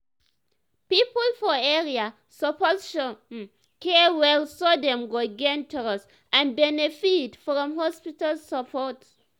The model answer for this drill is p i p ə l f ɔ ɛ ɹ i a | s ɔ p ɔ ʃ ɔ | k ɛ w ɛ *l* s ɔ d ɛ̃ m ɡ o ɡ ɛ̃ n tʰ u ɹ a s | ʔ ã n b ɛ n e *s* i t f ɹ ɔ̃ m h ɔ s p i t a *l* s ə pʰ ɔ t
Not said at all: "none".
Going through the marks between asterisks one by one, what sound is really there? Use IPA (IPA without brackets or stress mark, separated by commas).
l, f, l